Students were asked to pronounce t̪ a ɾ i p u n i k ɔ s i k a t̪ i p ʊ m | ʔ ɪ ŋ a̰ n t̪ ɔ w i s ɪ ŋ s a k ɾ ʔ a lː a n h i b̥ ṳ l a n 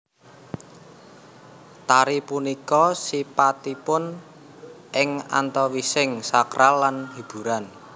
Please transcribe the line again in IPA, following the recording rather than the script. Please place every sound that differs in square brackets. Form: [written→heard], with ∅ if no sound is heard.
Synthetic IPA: t̪ a ɾ i p u n i k ɔ s i [k→p] a t̪ i p ʊ [m→n] | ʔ ɪ ŋ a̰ n t̪ ɔ w i s ɪ ŋ s a k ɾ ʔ a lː a n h i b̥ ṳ [l→ɾ] a n